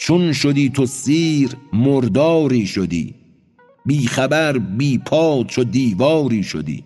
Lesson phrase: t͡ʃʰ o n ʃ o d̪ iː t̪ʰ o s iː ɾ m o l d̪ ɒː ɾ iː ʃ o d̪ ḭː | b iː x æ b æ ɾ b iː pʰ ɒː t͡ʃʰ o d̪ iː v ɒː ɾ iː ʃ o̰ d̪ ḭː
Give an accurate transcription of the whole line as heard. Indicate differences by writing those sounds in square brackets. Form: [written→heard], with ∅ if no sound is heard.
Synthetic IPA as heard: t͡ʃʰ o n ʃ o d̪ iː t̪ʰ o s iː ɾ m o [l→ɾ] d̪ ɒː ɾ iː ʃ o d̪ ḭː | b iː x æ b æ ɾ b iː pʰ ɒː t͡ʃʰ o d̪ iː v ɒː ɾ iː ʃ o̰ d̪ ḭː